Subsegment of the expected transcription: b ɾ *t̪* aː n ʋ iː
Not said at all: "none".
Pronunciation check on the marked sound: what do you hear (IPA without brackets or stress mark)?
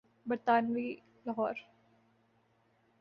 t̪